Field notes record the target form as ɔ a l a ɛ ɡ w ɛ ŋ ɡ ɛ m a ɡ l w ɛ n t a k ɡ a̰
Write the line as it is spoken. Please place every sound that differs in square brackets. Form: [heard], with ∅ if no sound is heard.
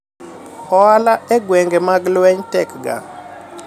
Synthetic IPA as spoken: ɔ a l a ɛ ɡ w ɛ ŋ ɡ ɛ m a ɡ l w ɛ [ɲ] t [ɛ] k ɡ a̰